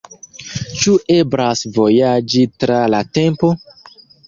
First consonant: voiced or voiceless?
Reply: voiceless